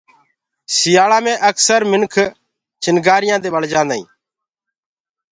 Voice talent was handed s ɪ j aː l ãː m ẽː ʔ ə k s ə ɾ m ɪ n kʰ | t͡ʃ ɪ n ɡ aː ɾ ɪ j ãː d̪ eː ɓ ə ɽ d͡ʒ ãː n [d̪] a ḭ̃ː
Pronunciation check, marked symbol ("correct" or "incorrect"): correct